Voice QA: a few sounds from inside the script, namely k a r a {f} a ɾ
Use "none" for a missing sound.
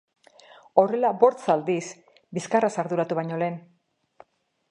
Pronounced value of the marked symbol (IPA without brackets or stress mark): s